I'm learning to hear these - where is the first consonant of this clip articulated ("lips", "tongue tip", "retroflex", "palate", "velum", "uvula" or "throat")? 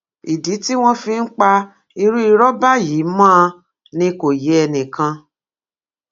tongue tip